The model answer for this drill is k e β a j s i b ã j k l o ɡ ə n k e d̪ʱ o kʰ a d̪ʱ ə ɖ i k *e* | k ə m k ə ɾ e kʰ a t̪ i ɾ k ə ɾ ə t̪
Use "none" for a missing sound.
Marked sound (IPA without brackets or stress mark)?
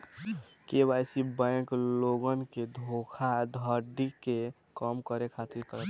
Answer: e